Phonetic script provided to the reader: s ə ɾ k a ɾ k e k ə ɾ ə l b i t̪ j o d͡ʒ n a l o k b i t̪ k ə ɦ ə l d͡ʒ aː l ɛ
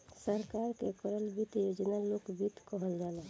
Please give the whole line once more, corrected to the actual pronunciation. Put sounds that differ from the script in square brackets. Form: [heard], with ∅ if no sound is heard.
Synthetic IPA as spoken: s ə ɾ k a ɾ k e k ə ɾ ə l b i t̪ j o d͡ʒ n a l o k b i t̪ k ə ɦ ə l d͡ʒ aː l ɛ